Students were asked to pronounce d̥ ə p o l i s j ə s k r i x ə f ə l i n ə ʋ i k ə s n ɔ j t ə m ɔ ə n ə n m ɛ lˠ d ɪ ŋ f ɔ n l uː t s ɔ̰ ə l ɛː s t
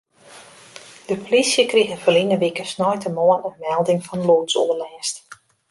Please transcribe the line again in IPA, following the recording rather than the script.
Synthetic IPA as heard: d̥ ə p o l i s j ə k r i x ə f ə l i n ə ʋ i k ə s n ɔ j t ə m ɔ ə n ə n m ɛ lˠ d ɪ ŋ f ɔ n l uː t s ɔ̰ ə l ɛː s t